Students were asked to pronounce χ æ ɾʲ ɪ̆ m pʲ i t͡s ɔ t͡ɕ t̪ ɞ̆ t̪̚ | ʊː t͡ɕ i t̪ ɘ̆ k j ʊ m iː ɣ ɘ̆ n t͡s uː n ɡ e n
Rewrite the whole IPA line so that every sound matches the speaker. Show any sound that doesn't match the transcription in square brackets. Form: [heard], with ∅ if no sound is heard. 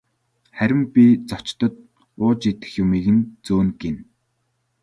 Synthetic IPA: χ æ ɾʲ ɪ̆ m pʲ i t͡s ɔ t͡ɕ t̪ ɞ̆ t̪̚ | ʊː t͡ɕ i t̪ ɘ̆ [x] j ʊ m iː ɣ ɘ̆ n t͡s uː n ɡ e n